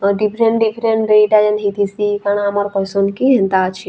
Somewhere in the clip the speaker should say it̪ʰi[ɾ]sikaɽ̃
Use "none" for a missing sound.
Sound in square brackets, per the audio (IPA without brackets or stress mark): none